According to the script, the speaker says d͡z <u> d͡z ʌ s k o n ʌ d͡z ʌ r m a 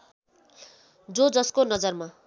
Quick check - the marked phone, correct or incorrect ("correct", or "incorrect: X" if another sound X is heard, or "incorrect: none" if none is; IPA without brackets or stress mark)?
incorrect: o